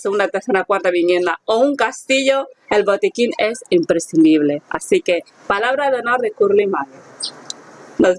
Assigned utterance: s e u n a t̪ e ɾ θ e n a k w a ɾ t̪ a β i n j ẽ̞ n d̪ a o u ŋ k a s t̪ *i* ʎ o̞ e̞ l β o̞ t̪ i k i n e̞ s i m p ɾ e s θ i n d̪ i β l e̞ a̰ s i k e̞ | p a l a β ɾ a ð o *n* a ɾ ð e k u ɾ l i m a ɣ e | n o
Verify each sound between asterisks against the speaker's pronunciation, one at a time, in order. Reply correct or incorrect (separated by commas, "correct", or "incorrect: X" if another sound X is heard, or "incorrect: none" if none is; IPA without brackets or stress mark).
correct, correct